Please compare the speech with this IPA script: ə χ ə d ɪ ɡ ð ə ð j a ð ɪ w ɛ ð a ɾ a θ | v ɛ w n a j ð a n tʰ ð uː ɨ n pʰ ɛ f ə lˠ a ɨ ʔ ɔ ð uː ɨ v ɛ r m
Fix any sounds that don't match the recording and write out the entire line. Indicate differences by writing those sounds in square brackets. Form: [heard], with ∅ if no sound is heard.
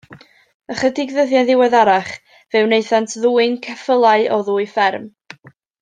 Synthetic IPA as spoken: ə χ ə d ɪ ɡ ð ə ð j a ð ɪ w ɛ ð a ɾ a [χ] | v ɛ w n [e] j [θ] a n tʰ ð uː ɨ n [kʰ] ɛ f ə lˠ a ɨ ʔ ɔ ð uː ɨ [f] ɛ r m

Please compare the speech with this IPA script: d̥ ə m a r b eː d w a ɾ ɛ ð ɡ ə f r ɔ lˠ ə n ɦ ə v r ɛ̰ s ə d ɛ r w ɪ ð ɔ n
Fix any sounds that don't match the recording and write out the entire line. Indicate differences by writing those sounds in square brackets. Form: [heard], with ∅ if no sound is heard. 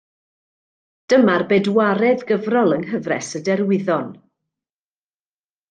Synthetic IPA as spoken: d̥ ə m a r b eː d w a ɾ ɛ ð ɡ ə [v] r ɔ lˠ ə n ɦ ə v r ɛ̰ s ə d ɛ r w ɪ ð ɔ n

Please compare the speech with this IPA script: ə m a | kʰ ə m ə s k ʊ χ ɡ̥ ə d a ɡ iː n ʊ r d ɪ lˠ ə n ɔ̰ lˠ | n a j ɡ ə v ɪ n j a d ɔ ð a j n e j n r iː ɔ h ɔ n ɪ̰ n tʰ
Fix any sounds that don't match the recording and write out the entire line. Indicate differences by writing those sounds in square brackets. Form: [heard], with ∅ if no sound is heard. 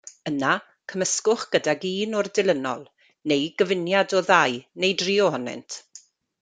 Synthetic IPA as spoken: ə [n] a | kʰ ə m ə s k ʊ χ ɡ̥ ə d a ɡ iː n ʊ r d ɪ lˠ ə n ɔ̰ lˠ | n [e] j ɡ ə v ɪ n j a d ɔ ð a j n e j [d] r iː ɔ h ɔ n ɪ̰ n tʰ

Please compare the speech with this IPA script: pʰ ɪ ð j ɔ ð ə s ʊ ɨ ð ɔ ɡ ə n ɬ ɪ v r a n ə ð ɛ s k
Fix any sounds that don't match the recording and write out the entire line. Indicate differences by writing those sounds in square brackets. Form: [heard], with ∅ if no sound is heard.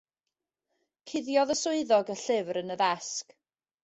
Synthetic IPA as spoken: [kʰ] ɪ ð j ɔ ð ə s ʊ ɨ ð ɔ ɡ ə [∅] ɬ ɪ v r [ə] n ə ð ɛ s k

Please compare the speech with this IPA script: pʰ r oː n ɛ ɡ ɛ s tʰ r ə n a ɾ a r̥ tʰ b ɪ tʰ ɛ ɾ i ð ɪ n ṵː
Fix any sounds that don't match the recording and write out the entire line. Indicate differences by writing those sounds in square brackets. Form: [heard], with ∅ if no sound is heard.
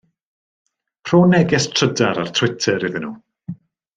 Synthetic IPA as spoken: pʰ r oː n ɛ ɡ ɛ s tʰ r ə [d] a ɾ a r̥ tʰ [w] ɪ tʰ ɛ ɾ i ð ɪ n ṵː

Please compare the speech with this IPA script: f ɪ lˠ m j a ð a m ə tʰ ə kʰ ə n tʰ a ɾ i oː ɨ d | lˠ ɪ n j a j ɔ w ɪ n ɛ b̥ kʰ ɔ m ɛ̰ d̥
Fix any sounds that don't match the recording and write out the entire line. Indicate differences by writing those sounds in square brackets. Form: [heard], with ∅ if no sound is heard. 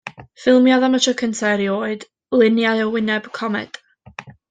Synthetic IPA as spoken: f ɪ lˠ m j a ð a m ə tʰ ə kʰ ə n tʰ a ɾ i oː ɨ d | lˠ ɪ n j a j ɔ w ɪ n ɛ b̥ kʰ ɔ m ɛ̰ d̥

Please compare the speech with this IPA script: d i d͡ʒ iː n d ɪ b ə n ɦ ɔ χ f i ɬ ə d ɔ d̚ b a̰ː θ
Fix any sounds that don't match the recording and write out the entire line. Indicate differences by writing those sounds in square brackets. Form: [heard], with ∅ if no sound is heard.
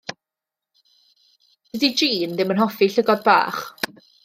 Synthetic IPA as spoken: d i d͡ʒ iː n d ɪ [m] ə n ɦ ɔ [∅] f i ɬ ə [ɡ] ɔ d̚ b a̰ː [χ]

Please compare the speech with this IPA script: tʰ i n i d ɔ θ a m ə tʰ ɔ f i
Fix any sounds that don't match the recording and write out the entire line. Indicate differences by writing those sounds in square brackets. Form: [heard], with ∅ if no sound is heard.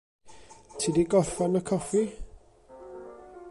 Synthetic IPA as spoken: tʰ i [d] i [ɡ] ɔ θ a [n] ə [kʰ] ɔ f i

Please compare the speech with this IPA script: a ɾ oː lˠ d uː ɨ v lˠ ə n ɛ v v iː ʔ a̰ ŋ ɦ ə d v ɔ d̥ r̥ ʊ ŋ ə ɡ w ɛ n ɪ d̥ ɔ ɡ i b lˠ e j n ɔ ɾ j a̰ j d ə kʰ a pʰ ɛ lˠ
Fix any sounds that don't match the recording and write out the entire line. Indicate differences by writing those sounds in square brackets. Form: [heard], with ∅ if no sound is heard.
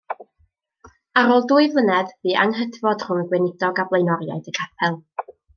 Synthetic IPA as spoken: a ɾ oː lˠ d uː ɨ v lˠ ə n ɛ [ð] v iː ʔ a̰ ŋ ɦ ə d v ɔ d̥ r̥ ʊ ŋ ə ɡ w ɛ n ɪ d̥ ɔ ɡ [a] b lˠ e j n ɔ ɾ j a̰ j d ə kʰ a pʰ ɛ lˠ

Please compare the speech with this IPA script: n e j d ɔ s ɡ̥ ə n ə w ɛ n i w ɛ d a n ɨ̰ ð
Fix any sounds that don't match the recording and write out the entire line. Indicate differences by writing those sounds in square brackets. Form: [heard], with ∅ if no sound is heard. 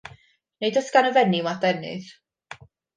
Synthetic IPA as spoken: n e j d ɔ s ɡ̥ [a] n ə [v] ɛ n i w [a] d [ɛ] n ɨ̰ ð

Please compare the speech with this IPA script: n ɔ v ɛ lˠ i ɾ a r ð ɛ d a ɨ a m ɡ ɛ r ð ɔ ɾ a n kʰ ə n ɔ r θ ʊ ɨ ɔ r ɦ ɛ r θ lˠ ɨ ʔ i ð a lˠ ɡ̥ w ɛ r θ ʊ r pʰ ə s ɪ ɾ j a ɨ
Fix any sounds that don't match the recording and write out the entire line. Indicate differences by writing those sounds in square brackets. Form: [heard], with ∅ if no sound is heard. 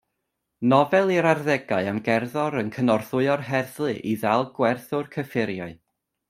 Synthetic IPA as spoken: n ɔ v ɛ lˠ i ɾ a r ð ɛ [ɡ] a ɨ a m ɡ ɛ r ð ɔ ɾ [ə] n kʰ ə n ɔ r θ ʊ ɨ ɔ r ɦ ɛ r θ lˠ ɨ ʔ i ð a lˠ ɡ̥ w ɛ r θ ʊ r [kʰ] ə [f] ɪ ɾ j a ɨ

